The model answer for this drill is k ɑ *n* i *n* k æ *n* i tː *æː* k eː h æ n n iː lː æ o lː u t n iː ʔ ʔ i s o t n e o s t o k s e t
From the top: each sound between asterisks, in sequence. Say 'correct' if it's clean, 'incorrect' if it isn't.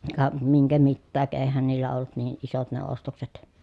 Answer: incorrect: m, incorrect: ŋ, incorrect: m, correct

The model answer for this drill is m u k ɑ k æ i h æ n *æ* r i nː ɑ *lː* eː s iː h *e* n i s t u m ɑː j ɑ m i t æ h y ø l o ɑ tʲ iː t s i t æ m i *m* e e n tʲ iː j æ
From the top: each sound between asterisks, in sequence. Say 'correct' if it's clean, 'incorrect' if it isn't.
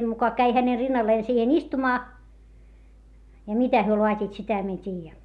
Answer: incorrect: e, correct, correct, incorrect: none

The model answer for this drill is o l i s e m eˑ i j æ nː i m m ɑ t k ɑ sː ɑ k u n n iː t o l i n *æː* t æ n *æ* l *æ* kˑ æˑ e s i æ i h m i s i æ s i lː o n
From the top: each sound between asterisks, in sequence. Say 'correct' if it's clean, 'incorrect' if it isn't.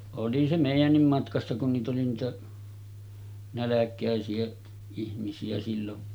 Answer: incorrect: iː, correct, correct

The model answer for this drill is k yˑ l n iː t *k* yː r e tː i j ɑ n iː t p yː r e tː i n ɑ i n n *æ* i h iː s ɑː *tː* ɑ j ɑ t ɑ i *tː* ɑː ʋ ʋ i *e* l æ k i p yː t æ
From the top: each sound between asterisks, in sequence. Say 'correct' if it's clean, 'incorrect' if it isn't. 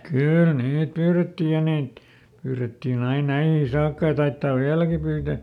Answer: incorrect: p, correct, incorrect: kː, correct, incorrect: æ

